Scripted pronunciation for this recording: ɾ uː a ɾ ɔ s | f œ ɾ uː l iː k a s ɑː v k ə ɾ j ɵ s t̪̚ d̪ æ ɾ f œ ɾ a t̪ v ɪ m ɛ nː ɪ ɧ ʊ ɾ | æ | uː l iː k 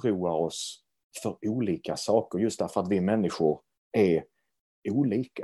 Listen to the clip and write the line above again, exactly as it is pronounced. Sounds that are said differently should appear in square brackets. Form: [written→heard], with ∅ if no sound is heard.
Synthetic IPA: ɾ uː a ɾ ɔ s | f œ ɾ uː l iː k a s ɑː [v→∅] k ə ɾ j ɵ s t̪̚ d̪ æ ɾ f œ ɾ a t̪ v ɪ m ɛ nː ɪ ɧ ʊ ɾ | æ | uː l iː k